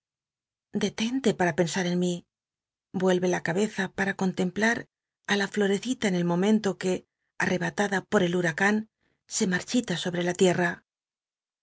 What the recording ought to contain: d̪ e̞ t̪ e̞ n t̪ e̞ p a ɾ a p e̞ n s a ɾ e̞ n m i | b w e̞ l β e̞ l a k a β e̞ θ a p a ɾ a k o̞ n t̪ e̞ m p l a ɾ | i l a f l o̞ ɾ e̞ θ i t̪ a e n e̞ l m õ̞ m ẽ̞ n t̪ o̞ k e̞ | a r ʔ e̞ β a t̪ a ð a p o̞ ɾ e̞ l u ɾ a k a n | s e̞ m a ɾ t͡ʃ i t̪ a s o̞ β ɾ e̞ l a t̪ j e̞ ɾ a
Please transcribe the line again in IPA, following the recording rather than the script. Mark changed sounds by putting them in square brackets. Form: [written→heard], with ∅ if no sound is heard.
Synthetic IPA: d̪ e̞ t̪ e̞ n t̪ e̞ p a ɾ a p e̞ n s a ɾ e̞ n m i | b w e̞ l β e̞ l a k a β e̞ θ a p a ɾ a k o̞ n t̪ e̞ m p l a ɾ | [i→a] l a f l o̞ ɾ e̞ θ i t̪ a e n e̞ l m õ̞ m ẽ̞ n t̪ o̞ k e̞ | a r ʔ e̞ β a t̪ a ð a p o̞ ɾ e̞ l u ɾ a k a n | s e̞ m a ɾ t͡ʃ i t̪ a s o̞ β ɾ e̞ l a t̪ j e̞ [ɾ→r] a